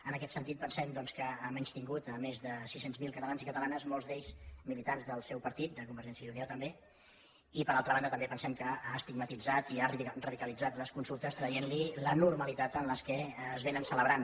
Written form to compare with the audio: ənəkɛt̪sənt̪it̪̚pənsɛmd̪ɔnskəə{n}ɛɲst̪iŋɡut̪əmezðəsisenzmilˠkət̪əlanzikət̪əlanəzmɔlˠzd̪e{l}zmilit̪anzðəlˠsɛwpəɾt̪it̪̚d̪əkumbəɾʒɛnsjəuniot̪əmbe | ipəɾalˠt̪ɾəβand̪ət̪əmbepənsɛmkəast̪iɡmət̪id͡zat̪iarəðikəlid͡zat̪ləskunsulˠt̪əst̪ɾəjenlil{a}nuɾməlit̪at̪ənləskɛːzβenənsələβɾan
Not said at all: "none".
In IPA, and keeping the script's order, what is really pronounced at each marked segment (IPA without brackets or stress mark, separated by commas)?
m, ʎ, ə